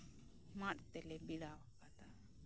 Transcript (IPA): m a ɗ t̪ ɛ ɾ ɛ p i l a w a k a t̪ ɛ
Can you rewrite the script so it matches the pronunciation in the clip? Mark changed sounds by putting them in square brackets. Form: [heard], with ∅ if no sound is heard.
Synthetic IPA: m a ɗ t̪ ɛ [l] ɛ [b] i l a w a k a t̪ [a]